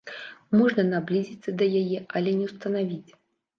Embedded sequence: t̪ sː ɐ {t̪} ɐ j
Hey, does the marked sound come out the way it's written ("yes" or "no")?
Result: no